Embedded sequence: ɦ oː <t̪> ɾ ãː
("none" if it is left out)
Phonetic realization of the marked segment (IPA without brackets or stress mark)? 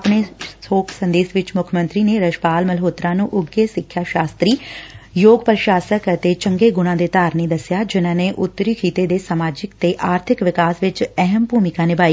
t̪